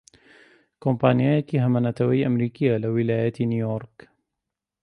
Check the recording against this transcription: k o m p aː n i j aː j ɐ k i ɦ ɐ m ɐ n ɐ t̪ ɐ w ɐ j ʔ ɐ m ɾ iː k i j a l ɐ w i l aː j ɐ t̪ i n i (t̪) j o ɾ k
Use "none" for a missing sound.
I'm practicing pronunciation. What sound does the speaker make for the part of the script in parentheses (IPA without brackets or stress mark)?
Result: none